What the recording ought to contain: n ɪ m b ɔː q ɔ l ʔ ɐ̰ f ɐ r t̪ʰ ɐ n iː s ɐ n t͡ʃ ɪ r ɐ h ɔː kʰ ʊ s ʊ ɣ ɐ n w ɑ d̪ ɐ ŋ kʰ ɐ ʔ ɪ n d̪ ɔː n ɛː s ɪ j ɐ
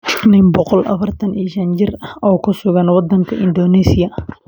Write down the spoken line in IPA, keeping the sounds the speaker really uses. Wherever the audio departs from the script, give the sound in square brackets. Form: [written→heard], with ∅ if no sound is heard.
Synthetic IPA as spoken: n ɪ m b [ɔː→ɔ] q ɔ l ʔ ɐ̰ f ɐ r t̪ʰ ɐ n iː [s→ʃ] ɐ n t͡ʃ ɪ r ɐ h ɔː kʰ ʊ s ʊ ɣ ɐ n w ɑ d̪ ɐ ŋ kʰ ɐ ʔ ɪ n d̪ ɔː n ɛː s ɪ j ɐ

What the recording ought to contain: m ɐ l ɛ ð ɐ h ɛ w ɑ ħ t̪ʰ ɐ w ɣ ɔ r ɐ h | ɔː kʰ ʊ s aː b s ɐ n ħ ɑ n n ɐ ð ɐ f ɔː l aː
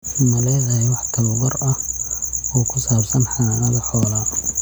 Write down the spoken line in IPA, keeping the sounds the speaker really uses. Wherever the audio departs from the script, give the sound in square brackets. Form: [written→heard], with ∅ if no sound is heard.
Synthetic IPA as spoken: m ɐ l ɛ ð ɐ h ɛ w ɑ ħ t̪ʰ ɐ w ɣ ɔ r ɐ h | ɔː kʰ ʊ s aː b s ɐ n ħ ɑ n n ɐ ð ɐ [f→ħ] ɔː l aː

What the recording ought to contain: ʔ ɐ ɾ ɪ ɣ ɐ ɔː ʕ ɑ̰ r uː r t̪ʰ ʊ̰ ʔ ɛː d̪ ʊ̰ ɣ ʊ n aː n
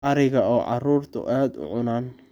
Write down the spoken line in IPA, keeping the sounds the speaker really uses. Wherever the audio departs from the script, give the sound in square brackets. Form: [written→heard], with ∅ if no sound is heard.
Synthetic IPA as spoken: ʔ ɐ ɾ ɪ ɣ ɐ ɔː ʕ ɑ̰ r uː r t̪ʰ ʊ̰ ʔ [ɛː→aː] d̪ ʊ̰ [ɣ→ʕ] ʊ n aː n

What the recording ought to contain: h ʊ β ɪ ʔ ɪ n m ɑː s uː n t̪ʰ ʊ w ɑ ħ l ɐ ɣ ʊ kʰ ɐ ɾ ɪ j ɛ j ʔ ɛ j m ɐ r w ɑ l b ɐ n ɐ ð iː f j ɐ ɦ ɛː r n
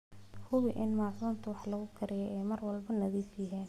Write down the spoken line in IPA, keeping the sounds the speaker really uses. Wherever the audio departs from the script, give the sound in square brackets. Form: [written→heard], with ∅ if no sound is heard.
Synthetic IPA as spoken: h ʊ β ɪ ʔ ɪ n m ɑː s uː n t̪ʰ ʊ w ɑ ħ l ɐ ɣ ʊ kʰ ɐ ɾ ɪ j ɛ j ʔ ɛ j m ɐ r w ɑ l b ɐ n ɐ ð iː f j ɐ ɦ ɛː [r→∅] n

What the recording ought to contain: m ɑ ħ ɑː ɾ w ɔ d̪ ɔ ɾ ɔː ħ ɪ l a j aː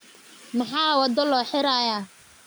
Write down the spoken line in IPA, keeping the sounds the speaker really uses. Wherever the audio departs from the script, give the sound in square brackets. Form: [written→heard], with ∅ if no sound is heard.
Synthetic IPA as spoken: m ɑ ħ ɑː [ɾ→∅] w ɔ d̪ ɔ [ɾ→l] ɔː ħ ɪ [l→ɾ] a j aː

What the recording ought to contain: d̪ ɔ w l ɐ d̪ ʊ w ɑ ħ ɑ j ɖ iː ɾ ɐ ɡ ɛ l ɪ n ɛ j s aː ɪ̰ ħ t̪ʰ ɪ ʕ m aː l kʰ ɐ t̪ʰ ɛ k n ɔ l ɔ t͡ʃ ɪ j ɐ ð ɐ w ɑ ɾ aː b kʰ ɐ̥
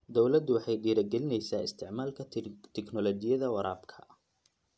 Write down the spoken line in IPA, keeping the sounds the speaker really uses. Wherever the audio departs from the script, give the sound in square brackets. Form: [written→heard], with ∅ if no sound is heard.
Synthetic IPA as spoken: d̪ ɔ w l ɐ d̪ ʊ w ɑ ħ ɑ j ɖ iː ɾ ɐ ɡ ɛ l ɪ n ɛ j s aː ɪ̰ [ħ→s] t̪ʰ ɪ ʕ m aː l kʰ ɐ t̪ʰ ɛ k n ɔ l ɔ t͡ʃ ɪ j ɐ ð ɐ w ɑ ɾ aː b kʰ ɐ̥

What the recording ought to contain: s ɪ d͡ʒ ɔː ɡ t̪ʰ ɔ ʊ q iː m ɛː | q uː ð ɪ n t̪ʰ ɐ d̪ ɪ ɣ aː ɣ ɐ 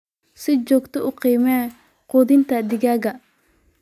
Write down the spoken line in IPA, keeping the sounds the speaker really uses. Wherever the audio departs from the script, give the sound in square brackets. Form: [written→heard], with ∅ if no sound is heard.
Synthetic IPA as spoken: s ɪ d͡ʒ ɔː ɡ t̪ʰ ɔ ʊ q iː m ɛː | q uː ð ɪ n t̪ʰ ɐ d̪ ɪ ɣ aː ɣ ɐ

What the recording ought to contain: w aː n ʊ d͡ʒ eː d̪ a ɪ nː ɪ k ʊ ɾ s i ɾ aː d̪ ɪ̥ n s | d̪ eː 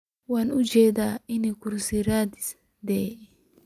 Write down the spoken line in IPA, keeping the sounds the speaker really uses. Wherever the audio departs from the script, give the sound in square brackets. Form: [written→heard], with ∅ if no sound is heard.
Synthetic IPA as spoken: w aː n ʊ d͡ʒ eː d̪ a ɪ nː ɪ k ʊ ɾ s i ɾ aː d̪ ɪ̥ [n→∅] s | d̪ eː

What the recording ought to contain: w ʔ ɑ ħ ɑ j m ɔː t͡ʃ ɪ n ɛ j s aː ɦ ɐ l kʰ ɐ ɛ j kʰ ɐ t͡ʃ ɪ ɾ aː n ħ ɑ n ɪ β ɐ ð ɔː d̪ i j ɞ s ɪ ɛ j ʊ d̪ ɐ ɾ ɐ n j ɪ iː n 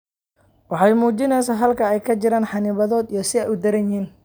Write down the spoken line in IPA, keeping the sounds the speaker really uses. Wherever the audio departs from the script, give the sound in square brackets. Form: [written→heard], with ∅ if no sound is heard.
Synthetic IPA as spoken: w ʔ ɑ ħ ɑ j m [ɔː→uː] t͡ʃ ɪ n ɛ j s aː ɦ ɐ l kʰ ɐ ɛ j kʰ ɐ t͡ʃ ɪ ɾ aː n ħ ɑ n ɪ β ɐ ð ɔː d̪ i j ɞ s ɪ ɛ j ʊ d̪ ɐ ɾ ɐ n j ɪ iː n

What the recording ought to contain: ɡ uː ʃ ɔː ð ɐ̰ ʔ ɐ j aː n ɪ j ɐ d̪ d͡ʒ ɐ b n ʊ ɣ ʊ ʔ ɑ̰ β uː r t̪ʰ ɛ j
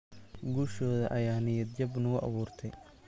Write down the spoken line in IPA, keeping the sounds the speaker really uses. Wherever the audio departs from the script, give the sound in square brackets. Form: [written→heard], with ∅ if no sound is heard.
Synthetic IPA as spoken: ɡ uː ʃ ɔː ð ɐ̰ ʔ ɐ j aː n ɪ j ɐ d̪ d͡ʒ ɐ b n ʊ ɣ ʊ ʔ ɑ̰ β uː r t̪ʰ ɛ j

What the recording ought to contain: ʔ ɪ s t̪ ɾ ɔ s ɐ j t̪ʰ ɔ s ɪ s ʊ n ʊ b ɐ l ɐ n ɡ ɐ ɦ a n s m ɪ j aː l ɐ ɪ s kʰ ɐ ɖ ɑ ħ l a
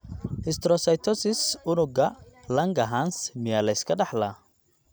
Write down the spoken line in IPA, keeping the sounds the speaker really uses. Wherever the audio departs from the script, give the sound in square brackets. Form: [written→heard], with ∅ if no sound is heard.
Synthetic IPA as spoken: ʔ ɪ s t̪ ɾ ɔ s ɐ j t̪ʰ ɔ s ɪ s ʊ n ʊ [b→ɡ] ɐ l ɐ [n→ŋ] ɡ ɐ ɦ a n s m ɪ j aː l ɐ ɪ s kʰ ɐ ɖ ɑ ħ l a

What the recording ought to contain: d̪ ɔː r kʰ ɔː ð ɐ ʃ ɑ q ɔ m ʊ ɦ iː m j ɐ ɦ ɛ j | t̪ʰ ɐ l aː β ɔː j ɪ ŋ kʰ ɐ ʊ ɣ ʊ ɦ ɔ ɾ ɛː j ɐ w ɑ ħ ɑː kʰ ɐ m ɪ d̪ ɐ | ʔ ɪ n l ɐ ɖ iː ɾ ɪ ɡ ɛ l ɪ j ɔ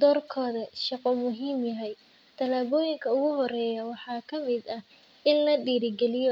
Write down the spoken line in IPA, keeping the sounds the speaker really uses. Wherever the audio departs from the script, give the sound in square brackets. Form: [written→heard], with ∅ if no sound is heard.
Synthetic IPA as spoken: d̪ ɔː r kʰ ɔː ð ɐ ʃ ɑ q ɔ m ʊ ɦ iː m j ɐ ɦ ɛ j | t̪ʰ ɐ l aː β ɔː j ɪ ŋ kʰ ɐ ʊ ɣ ʊ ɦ ɔ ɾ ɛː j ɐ w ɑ ħ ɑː kʰ ɐ m ɪ d̪ ɐ | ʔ ɪ n l ɐ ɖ iː ɾ ɪ ɡ ɛ l ɪ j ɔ

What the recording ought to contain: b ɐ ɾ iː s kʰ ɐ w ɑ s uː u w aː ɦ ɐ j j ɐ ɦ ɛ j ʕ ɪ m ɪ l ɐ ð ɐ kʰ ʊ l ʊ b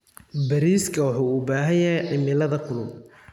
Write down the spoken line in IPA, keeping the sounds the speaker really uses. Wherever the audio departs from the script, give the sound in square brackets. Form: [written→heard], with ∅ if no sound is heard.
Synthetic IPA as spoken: b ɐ ɾ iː s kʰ ɐ w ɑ [s→ħ] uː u [w→b] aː ɦ ɐ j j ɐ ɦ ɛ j ʕ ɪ m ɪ l ɐ ð ɐ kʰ ʊ l ʊ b

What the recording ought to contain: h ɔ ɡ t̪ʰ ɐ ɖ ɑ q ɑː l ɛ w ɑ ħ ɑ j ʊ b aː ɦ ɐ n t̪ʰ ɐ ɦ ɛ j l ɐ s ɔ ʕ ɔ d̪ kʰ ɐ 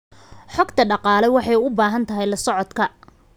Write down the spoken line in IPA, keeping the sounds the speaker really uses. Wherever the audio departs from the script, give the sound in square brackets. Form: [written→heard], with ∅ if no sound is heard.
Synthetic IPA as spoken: [h→ħ] ɔ ɡ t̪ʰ ɐ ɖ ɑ q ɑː l ɛ w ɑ ħ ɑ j ʊ b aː ɦ ɐ n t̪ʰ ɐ ɦ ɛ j l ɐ s ɔ ʕ ɔ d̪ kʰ ɐ

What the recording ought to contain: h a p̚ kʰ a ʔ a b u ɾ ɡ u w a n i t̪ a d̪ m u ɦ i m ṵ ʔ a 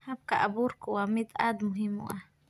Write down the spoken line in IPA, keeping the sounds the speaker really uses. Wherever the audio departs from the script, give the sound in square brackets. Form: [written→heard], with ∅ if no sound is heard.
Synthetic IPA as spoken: h a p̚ [kʰ→k] a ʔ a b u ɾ [ɡ→k] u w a [n→m] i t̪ a d̪ m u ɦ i m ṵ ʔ a

